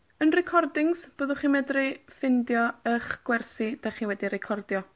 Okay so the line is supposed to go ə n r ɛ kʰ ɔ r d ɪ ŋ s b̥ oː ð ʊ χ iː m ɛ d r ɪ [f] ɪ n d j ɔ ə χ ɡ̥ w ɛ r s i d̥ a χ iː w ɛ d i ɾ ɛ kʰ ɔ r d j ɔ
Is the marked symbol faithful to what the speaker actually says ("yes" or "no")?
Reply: yes